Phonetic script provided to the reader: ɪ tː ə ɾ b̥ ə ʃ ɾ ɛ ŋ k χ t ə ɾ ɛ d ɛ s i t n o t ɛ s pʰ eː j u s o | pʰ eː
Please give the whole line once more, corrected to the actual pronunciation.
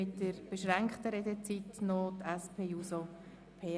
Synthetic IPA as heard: ɪ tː ə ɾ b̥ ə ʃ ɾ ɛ ŋ k χ t ə ɾ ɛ d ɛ t͡s i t n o t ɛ s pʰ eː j u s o | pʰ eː